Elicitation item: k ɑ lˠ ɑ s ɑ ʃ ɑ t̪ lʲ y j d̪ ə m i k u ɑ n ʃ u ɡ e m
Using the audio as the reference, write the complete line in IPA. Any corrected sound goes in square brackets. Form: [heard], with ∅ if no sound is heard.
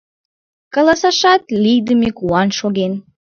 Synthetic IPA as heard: k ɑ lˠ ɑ s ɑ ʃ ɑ t̪ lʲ [i] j d̪ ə m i k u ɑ n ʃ [o] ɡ e [n]